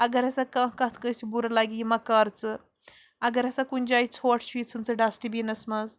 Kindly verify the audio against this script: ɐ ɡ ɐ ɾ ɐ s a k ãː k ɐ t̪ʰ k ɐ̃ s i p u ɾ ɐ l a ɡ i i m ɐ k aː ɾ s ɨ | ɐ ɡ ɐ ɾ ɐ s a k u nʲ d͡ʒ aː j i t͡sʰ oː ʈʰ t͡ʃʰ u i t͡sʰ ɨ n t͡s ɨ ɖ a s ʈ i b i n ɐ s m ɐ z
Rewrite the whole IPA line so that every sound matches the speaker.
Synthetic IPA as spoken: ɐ ɡ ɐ ɾ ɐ s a k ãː k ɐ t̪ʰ k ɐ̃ s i b u ɾ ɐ l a ɡ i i m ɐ k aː ɾ t͡s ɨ | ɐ ɡ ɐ ɾ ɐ s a k u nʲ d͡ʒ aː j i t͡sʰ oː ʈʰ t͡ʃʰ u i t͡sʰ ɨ n t͡s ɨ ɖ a s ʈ i b i n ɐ s m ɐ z